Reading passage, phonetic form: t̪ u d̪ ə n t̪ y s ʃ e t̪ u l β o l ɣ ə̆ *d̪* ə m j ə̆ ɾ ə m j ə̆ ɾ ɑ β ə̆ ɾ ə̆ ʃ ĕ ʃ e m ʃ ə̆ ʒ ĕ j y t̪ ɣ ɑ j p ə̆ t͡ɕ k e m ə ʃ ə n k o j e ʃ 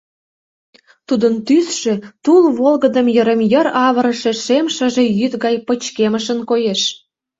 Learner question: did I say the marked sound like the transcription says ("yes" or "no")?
yes